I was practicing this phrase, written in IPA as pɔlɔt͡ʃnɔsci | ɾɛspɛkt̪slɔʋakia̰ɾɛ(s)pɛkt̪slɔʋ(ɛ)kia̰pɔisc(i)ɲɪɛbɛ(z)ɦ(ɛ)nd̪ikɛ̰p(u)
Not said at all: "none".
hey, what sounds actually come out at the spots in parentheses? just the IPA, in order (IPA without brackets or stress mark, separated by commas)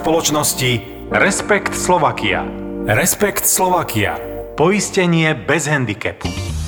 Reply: s, a, ɛ, z, ɛ, u